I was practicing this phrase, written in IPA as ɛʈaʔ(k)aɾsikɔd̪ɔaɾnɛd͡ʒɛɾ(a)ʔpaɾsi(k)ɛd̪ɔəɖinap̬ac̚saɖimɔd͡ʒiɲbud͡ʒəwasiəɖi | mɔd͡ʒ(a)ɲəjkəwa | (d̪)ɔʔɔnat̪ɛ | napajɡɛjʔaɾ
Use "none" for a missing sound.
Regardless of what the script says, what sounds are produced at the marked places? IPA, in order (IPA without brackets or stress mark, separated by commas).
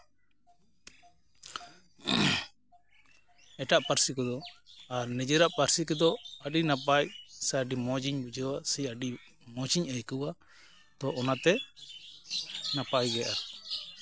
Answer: p, a, k, i, t̪